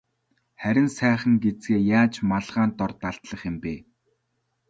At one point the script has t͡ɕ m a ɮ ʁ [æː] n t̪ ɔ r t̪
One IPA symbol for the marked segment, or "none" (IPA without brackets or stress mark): aː